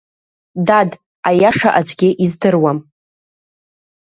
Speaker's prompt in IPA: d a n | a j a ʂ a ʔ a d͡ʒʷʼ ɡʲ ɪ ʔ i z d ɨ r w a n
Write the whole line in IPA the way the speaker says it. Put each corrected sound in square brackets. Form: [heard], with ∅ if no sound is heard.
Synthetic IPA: d a [d] | a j a ʂ a ʔ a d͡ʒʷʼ ɡʲ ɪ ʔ i z d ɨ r w a [m]